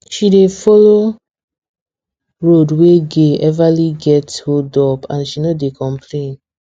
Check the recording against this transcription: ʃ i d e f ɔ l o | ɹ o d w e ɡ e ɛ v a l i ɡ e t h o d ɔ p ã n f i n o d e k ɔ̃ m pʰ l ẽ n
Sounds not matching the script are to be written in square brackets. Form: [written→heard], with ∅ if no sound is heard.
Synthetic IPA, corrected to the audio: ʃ i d e f ɔ l o | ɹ o d w e ɡ e ɛ v a l i ɡ [e→ɛ] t h o d ɔ p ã n [f→ʃ] i n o d e k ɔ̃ m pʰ l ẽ n